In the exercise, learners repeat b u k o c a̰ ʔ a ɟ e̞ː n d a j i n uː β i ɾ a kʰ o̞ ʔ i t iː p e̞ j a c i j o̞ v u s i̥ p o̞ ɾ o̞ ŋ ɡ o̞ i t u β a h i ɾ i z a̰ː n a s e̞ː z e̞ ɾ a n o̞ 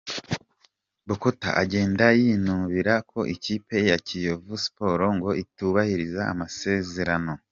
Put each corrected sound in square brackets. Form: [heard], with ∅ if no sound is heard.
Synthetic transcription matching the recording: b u k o [t] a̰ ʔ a ɟ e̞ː n d a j i n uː β i ɾ a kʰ o̞ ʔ i [c] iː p e̞ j a c i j o̞ v u s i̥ p o̞ ɾ o̞ ŋ ɡ o̞ i t u β a h i ɾ i z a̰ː [m] a s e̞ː z e̞ ɾ a n o̞